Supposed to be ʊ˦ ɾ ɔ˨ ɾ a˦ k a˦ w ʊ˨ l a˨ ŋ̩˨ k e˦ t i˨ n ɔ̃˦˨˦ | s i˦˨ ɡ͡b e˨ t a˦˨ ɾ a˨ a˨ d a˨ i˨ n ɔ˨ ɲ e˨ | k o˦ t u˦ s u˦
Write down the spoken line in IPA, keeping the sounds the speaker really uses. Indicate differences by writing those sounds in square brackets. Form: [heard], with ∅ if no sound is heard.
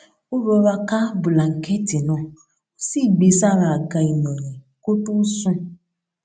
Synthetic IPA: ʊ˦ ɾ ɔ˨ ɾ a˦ k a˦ [b] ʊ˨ l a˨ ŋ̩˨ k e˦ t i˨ n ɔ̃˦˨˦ | s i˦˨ ɡ͡b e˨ [s] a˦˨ ɾ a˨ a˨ [ɡ] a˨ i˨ n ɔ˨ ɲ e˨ | k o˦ t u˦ s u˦